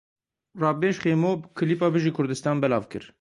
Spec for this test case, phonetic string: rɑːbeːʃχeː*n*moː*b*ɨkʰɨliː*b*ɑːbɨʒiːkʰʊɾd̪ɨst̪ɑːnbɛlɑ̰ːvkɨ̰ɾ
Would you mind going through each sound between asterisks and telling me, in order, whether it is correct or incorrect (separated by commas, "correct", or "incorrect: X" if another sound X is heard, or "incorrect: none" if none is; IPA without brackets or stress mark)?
incorrect: none, correct, incorrect: p